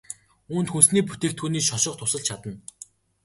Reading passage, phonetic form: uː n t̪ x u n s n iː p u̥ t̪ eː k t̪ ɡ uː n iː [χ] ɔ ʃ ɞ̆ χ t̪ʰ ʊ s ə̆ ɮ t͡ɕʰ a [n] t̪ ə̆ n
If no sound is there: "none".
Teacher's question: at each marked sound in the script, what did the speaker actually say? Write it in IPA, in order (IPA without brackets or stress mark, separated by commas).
ʃ, none